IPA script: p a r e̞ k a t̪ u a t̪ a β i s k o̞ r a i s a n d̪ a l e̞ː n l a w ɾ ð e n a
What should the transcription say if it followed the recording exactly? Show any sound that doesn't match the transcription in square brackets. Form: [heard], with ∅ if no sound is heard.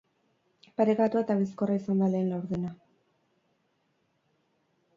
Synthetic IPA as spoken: p a [ɾ] e̞ k a t̪ u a t̪ a β i s k o̞ r a i s a n d̪ a l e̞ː n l a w ɾ ð e n a